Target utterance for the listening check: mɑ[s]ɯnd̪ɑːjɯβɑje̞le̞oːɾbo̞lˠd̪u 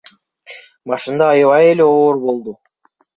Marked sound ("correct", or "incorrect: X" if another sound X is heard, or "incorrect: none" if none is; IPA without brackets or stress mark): incorrect: ʃ